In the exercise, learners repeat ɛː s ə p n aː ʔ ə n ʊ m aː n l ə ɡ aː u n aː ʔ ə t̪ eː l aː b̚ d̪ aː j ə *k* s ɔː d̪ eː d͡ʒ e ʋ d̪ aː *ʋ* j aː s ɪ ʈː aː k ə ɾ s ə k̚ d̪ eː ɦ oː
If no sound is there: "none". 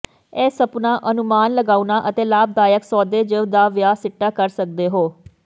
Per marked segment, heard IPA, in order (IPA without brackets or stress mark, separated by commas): k, ʋ